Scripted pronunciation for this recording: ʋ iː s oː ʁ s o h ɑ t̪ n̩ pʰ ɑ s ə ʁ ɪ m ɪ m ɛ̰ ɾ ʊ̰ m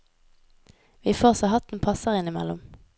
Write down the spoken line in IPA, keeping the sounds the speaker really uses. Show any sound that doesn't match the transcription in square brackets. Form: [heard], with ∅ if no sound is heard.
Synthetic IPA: ʋ iː [f] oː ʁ s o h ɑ t̪ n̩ pʰ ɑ s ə ʁ ɪ [n] ɪ m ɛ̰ [l] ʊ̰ m